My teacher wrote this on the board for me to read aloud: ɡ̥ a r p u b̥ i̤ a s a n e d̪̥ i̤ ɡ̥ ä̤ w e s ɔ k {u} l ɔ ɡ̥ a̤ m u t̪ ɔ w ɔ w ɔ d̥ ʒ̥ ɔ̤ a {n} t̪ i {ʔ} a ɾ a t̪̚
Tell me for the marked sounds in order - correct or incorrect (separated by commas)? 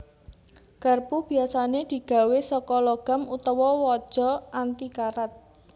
incorrect, correct, incorrect